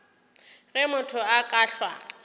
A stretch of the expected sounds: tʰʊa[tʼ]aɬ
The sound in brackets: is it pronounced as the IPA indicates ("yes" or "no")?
no